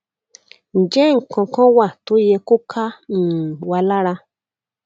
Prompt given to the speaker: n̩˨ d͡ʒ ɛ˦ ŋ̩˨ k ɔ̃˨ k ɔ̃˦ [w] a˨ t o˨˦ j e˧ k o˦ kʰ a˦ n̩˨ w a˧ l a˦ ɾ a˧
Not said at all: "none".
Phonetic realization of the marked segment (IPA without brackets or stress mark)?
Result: w